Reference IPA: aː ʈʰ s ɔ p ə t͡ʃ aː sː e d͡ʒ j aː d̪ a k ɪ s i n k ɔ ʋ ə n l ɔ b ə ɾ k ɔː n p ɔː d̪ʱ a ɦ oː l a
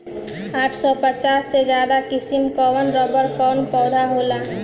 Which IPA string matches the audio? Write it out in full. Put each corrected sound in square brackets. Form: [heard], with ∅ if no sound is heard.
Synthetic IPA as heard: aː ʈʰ s ɔ p ə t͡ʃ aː sː e d͡ʒ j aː d̪ a k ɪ s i [m] k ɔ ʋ ə n [ɾ] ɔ b ə ɾ k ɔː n p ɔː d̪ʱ a ɦ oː l a